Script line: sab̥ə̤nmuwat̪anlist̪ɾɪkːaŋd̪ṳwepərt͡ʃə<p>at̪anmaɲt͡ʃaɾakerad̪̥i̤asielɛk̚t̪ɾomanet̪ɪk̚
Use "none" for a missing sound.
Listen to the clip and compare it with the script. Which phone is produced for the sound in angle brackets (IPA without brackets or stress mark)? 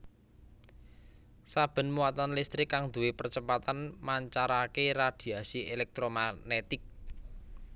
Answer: p